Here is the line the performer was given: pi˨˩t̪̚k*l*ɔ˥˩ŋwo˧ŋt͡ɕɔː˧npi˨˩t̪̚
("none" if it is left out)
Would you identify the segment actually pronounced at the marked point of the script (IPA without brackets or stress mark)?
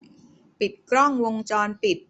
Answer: ɾ